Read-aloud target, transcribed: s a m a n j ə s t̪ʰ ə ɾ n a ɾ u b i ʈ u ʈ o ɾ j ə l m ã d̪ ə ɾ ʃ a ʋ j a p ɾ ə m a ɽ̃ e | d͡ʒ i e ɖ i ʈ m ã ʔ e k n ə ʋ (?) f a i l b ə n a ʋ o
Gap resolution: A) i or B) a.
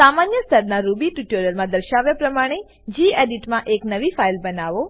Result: A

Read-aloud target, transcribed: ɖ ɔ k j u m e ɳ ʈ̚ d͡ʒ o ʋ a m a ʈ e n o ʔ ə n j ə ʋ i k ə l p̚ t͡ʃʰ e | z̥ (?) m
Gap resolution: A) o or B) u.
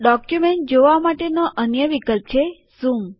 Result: B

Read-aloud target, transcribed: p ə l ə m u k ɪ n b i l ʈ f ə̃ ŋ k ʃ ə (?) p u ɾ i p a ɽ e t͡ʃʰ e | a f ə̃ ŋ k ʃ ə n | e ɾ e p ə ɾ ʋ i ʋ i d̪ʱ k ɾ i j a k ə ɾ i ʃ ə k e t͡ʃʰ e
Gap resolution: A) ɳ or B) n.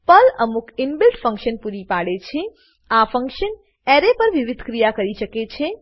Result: B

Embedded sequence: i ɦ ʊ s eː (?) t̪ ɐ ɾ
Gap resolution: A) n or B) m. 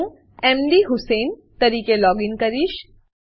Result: A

